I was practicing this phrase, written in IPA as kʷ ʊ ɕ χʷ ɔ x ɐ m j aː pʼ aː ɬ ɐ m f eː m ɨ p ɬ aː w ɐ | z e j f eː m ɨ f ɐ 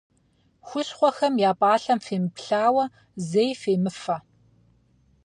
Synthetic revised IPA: xʷ ʊ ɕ χʷ ɔ x ɐ m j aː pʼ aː ɬ ɐ m f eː m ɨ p ɬ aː w ɐ | z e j f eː m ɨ f ɐ